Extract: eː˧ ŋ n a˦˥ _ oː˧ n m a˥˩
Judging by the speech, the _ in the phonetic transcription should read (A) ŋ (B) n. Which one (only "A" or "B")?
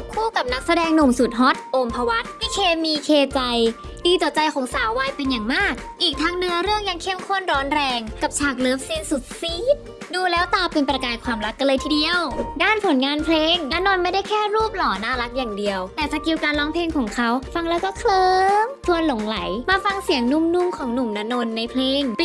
B